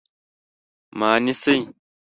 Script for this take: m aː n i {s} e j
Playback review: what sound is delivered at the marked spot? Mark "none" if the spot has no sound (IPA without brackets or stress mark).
s